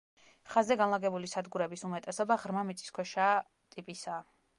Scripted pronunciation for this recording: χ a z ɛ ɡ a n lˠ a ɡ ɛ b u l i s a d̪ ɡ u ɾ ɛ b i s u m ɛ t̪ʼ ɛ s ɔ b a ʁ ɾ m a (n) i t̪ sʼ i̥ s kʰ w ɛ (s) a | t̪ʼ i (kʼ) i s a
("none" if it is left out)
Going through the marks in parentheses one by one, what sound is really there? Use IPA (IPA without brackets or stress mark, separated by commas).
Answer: m, ʃ, pʼ